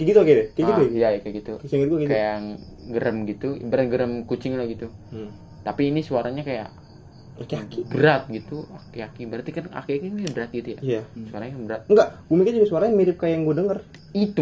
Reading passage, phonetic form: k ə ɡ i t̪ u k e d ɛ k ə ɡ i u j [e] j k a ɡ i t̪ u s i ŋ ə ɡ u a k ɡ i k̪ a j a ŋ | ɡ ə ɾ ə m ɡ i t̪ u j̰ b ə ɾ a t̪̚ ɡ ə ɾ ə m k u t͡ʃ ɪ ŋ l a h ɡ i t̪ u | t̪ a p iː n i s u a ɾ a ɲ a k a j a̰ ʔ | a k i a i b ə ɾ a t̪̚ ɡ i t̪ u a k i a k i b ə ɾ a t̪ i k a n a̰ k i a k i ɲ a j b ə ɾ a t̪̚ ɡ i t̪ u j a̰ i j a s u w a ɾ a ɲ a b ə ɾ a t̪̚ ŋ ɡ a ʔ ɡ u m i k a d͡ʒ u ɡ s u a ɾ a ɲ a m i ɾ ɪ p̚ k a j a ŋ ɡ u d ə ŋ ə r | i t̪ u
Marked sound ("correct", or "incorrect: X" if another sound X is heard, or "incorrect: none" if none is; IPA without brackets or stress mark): incorrect: a